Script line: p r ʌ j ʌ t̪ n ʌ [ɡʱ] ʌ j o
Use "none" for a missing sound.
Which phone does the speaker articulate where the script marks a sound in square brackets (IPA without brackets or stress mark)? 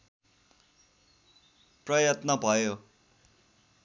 bʱ